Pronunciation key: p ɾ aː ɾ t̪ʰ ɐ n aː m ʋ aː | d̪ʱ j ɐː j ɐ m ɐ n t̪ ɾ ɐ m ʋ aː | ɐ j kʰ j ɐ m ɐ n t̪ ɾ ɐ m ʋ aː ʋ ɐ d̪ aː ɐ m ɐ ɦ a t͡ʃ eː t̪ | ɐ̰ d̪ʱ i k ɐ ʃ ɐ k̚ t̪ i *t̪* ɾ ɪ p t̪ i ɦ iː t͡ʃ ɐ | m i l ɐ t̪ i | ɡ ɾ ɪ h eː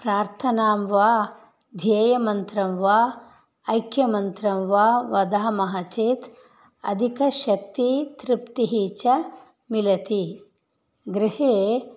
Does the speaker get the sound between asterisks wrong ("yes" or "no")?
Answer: no